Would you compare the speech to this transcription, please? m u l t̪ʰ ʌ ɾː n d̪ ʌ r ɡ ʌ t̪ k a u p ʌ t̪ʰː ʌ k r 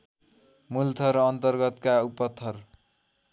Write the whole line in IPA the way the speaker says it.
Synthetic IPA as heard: m u l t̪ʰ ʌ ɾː n t̪ ʌ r ɡ ʌ t̪ k a u p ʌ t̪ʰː ʌ r